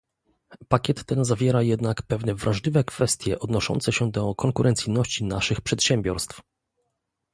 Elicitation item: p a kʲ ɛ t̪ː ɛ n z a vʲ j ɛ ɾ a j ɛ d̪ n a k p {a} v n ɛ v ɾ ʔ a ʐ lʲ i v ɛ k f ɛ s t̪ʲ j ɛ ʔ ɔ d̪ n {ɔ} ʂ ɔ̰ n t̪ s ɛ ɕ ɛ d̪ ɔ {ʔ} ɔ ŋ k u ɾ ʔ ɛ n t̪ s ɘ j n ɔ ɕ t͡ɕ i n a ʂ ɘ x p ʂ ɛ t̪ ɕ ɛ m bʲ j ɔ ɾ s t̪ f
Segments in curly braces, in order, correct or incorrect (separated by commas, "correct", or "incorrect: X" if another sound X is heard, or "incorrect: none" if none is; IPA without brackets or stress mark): incorrect: ɛ, correct, incorrect: k